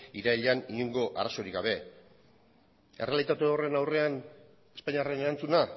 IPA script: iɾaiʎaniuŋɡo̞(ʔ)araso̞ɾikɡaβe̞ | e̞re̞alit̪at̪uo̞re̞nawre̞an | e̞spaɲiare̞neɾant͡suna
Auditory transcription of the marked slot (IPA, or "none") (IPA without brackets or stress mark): ʔ